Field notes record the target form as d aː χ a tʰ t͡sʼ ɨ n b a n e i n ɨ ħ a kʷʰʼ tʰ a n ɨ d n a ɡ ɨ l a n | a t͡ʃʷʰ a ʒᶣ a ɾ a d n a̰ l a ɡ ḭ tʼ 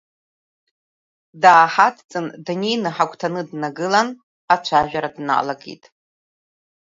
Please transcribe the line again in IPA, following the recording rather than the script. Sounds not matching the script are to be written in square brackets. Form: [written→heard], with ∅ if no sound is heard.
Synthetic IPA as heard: d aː [χ→ħ] a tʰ t͡sʼ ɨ n [b→d] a n e [i→j] n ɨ ħ a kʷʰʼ tʰ a n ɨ d n a ɡ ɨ l a n | a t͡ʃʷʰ a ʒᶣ a ɾ a d n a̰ l a ɡ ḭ tʼ